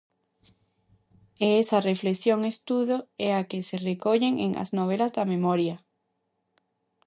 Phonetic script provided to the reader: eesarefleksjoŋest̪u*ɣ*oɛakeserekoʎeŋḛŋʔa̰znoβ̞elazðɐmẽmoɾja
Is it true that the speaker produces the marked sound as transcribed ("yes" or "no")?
no